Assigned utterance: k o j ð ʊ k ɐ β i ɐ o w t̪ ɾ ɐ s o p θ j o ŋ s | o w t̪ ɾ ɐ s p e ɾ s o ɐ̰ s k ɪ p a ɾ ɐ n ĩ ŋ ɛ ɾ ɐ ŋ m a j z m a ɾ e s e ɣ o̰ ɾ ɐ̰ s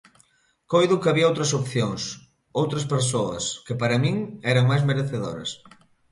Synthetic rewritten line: k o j ð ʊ k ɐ β i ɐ o w t̪ ɾ ɐ s o p θ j o ŋ s | o w t̪ ɾ ɐ s p e ɾ s o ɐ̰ s k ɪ p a ɾ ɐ m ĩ ŋ ɛ ɾ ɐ ŋ m a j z m e ɾ e θ e ð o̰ ɾ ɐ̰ s